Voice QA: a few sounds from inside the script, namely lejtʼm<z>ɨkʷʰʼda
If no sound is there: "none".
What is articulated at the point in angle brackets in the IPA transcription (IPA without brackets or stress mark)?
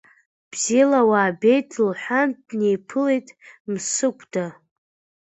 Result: s